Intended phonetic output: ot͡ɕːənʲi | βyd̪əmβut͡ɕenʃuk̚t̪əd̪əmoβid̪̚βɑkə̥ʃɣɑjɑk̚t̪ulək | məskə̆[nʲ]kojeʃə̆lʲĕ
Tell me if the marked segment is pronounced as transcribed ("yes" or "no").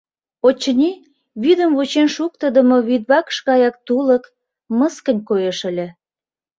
yes